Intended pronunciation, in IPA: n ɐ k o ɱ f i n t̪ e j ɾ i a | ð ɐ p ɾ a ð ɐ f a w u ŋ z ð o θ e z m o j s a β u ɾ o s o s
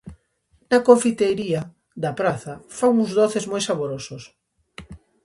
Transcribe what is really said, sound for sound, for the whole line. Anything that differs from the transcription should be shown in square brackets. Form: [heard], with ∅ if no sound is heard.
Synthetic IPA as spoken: n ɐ k o ɱ f i [∅] t̪ e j ɾ i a | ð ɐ p ɾ a [θ] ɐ f a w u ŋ z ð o θ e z m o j s a β [o] ɾ o s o s